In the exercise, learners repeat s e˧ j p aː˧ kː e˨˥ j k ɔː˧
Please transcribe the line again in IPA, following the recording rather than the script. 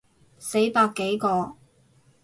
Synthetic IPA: s e˨˥ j p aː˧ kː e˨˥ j k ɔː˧